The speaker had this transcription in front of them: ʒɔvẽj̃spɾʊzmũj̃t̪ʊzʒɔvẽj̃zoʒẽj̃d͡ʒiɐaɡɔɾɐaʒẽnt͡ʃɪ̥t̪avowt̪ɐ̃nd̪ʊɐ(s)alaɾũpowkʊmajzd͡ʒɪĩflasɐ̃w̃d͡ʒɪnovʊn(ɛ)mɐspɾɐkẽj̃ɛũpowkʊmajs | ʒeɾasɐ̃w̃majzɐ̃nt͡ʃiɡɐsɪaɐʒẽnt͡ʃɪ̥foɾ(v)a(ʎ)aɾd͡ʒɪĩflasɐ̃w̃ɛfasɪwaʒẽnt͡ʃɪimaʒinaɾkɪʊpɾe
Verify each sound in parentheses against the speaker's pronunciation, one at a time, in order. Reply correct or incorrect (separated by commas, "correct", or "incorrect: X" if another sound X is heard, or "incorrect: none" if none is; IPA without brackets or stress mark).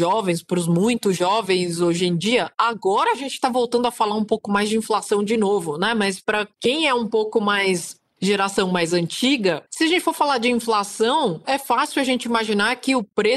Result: incorrect: f, correct, incorrect: f, incorrect: l